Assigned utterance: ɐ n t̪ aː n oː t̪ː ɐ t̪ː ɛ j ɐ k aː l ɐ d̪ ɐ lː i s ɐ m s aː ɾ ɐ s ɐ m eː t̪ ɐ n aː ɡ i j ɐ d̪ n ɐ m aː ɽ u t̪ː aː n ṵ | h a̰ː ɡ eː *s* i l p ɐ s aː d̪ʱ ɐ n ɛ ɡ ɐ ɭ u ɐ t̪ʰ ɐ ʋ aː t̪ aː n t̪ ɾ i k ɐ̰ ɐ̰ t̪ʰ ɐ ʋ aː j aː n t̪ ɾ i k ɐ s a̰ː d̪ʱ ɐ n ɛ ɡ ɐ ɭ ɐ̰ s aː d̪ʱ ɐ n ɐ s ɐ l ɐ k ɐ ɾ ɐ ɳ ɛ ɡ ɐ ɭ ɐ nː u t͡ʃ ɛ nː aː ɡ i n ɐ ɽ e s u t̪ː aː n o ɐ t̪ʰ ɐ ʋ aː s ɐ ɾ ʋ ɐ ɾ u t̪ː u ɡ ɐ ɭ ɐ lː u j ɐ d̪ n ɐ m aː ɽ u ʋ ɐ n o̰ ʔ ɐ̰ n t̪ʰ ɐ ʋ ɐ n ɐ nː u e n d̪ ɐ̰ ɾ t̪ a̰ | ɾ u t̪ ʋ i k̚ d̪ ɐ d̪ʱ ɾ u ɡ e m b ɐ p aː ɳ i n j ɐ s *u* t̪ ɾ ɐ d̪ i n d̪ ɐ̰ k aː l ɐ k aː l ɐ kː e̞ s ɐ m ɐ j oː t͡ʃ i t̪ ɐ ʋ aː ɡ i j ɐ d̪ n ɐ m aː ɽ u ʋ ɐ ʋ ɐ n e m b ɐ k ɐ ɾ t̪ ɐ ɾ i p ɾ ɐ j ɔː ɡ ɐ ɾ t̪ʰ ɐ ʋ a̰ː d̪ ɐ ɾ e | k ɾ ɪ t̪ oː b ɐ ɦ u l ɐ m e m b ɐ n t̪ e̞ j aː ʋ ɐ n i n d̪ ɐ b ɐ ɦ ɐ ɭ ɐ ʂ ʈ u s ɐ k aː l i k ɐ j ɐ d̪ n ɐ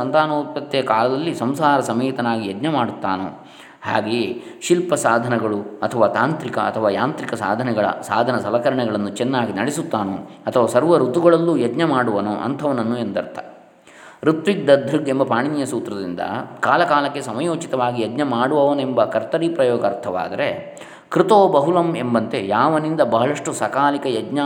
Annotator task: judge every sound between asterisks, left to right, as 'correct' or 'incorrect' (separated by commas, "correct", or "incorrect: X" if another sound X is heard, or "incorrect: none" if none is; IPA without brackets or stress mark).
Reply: incorrect: ʃ, incorrect: uː